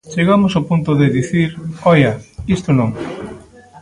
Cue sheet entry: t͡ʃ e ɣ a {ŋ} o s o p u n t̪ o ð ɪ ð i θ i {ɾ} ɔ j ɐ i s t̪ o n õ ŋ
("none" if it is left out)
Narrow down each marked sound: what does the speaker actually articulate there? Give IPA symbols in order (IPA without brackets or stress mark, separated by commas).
m, ɾ